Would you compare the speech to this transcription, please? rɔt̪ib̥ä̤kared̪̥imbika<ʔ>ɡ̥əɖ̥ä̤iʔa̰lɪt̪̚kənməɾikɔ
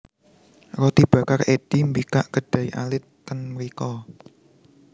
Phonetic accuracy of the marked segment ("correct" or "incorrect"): correct